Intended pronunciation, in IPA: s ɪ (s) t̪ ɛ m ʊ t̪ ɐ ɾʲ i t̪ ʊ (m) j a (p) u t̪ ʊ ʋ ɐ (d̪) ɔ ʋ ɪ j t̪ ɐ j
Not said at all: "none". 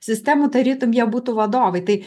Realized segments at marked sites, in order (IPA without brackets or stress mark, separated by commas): s, m, b, d̪